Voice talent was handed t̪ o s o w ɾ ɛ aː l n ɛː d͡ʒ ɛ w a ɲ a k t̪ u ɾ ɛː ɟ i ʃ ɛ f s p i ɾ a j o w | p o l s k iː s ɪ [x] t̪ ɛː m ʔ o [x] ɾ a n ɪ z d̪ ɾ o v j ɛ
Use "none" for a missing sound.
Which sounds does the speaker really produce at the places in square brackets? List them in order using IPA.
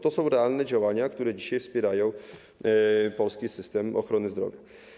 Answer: s, x

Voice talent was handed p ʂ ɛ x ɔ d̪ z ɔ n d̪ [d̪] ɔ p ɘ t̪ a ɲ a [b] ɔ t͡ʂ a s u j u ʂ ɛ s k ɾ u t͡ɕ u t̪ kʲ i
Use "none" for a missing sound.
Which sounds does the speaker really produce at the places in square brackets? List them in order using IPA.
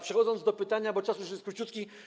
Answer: d̪, b

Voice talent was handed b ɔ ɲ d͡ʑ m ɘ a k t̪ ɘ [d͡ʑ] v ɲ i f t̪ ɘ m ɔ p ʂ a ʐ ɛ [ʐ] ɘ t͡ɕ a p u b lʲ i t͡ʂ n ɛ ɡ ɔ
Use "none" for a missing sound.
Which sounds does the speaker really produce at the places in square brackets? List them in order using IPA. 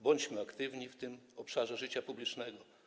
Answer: none, ʐ

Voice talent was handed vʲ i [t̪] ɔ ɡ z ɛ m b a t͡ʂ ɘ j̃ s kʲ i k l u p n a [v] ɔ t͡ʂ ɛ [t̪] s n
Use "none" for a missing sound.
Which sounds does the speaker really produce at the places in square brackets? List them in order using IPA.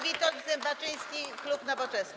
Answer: t̪, v, none

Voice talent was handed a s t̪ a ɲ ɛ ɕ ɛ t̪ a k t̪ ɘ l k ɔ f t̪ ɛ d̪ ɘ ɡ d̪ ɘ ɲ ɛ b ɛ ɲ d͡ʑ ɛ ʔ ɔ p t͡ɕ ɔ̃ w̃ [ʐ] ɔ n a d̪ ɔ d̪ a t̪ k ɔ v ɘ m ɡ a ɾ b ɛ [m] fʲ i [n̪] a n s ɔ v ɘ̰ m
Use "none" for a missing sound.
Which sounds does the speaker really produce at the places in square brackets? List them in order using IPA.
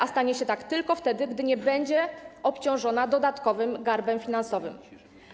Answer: ʐ, m, n̪

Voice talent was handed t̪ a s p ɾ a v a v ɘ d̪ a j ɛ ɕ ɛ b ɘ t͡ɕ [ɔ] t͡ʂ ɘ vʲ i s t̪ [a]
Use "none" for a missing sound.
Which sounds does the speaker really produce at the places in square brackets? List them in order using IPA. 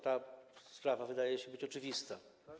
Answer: ɔ, a

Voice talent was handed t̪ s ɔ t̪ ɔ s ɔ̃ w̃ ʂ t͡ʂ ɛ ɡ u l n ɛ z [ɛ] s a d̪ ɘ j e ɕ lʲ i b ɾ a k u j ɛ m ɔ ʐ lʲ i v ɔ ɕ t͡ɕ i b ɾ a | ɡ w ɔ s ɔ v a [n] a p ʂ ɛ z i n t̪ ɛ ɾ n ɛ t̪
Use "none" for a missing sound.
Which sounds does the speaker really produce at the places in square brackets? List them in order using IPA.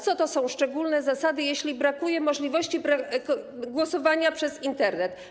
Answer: a, ɲ

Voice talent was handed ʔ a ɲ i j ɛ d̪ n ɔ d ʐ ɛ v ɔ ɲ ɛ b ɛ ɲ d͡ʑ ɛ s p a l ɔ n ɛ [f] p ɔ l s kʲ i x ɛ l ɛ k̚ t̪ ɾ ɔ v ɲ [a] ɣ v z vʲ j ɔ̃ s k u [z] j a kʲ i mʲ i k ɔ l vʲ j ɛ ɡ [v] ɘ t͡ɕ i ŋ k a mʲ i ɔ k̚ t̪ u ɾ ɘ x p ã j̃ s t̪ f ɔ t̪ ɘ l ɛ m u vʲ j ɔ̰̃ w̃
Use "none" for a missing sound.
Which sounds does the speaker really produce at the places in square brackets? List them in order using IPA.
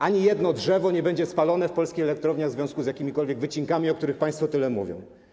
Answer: f, a, z, v

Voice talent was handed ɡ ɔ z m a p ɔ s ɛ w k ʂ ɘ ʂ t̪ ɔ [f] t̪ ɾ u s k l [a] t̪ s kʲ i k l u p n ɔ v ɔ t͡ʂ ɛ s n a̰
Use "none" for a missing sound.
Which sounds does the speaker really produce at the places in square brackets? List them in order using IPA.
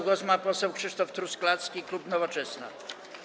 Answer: f, a

